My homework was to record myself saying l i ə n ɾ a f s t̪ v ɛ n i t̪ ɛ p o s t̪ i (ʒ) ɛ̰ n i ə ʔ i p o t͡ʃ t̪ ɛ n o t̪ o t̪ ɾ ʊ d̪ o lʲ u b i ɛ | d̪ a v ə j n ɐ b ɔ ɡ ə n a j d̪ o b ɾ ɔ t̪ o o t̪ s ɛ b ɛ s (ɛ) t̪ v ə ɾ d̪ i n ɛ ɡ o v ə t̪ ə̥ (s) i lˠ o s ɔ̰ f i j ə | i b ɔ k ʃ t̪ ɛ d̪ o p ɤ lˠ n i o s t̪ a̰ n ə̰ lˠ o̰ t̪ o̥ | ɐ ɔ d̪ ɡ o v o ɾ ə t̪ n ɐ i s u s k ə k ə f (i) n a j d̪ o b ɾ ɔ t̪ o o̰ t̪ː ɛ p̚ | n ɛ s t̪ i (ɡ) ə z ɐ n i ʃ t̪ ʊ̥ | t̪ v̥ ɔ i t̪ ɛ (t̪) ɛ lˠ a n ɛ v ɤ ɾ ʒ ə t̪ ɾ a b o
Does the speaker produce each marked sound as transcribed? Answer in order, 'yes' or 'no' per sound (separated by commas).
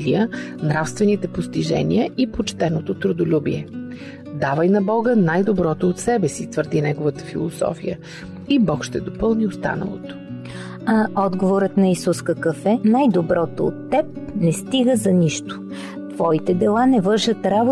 yes, no, no, no, yes, no